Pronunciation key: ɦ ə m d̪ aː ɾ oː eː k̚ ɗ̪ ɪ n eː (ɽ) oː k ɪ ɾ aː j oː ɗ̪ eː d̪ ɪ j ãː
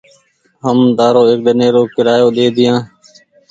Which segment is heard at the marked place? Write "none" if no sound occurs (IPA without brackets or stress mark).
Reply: ɾ